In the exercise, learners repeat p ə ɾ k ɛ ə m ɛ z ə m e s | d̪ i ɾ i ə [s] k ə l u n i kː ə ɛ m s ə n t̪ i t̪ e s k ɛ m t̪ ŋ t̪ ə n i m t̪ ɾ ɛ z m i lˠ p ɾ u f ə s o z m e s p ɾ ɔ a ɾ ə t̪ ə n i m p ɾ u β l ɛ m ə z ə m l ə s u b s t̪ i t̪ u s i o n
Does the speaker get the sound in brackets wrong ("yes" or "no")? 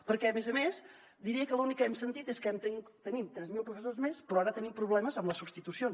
yes